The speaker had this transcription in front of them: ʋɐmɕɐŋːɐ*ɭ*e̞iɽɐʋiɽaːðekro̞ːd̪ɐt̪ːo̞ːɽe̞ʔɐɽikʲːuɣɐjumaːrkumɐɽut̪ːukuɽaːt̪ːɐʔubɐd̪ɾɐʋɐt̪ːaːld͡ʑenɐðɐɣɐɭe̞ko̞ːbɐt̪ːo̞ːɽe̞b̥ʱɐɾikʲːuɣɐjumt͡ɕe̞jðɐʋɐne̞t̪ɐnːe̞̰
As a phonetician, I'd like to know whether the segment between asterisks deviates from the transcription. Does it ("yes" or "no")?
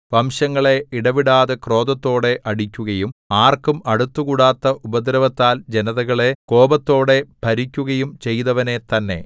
no